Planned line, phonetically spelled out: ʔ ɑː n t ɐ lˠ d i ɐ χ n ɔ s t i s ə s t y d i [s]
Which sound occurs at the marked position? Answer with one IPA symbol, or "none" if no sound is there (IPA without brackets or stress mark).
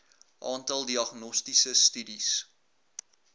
s